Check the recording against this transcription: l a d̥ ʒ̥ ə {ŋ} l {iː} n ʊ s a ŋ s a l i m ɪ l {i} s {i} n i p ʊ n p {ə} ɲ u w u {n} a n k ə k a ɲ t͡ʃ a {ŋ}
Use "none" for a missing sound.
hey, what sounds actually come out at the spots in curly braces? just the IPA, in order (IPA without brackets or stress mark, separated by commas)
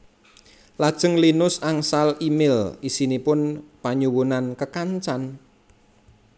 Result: ŋ, i, i, i, a, n, n